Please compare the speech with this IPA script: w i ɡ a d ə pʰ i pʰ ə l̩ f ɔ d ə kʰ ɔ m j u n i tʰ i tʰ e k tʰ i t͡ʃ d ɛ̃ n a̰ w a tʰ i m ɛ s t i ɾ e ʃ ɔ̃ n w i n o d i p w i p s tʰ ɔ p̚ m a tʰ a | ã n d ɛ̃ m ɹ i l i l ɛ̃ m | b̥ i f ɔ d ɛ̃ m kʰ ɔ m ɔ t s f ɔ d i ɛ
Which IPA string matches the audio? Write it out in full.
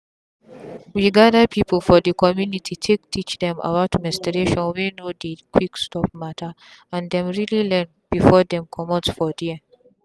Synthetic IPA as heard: w i ɡ a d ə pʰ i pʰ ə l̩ f ɔ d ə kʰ ɔ m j u n i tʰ i tʰ e k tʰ i t͡ʃ d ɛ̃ m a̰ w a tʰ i m ɛ s t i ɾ e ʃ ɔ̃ n w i n o d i k w i k s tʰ ɔ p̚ m a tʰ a | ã n d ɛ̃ m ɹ i l i l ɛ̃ n | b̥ i f ɔ d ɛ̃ m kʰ ɔ m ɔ t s f ɔ d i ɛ